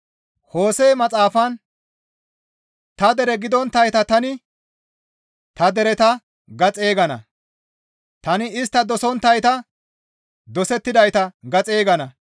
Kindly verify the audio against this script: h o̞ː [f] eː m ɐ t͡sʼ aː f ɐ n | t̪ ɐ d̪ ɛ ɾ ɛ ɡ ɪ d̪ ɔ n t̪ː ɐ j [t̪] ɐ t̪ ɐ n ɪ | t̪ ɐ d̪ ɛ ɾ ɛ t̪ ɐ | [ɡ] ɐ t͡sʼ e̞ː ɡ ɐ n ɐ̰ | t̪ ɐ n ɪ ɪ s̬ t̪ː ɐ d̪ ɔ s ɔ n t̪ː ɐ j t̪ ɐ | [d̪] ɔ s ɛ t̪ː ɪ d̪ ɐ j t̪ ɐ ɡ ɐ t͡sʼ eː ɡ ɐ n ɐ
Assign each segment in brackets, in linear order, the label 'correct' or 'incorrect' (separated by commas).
incorrect, correct, correct, correct